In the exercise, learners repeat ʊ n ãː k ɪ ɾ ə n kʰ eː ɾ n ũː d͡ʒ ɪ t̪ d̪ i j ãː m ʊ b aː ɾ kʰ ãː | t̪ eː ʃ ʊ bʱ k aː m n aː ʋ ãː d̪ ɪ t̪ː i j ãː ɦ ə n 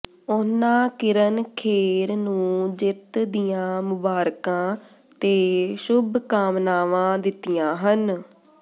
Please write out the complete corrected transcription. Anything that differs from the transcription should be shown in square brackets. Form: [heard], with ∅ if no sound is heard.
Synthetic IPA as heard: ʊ n ãː k ɪ ɾ ə n kʰ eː ɾ n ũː d͡ʒ ɪ t̪ d̪ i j ãː m ʊ b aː ɾ [k] ãː | t̪ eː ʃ ʊ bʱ k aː m n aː ʋ ãː d̪ ɪ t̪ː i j ãː ɦ ə n